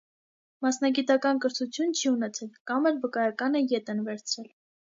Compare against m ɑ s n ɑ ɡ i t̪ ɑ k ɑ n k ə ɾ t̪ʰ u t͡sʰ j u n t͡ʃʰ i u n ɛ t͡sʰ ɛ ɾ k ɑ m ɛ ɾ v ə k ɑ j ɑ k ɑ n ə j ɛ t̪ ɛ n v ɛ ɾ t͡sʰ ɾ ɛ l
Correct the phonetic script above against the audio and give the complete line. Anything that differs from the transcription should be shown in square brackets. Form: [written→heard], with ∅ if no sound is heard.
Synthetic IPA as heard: m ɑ s n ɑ ɡ i t̪ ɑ k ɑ n k ə ɾ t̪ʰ u t͡sʰ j u n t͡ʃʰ i u n ɛ t͡sʰ ɛ [ɾ→l] k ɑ m ɛ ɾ v ə k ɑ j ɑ k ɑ n ə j ɛ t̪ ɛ n v ɛ ɾ t͡sʰ ɾ ɛ l